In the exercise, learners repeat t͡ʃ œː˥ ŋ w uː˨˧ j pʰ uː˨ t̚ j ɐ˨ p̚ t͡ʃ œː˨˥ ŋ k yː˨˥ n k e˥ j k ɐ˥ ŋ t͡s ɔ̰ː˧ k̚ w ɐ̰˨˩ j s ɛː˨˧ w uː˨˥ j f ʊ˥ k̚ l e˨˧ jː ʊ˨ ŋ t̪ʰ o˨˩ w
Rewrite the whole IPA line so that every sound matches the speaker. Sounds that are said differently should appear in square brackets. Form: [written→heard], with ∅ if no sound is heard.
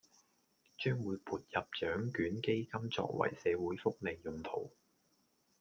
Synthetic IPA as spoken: t͡ʃ œː˥ ŋ w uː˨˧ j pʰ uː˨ t̚ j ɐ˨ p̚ t͡ʃ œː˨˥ ŋ k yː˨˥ n k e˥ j k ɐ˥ [ŋ→m] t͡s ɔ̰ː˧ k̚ w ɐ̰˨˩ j s ɛː˨˧ w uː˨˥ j f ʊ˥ k̚ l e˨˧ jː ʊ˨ ŋ t̪ʰ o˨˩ w